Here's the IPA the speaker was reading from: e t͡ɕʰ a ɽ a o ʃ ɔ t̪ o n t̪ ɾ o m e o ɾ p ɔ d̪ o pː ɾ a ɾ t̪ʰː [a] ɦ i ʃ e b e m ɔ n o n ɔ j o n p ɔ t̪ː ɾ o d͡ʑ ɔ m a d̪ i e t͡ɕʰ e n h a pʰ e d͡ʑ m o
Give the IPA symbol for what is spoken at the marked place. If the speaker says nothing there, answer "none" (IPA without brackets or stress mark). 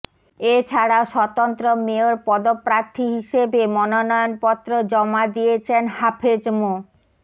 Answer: i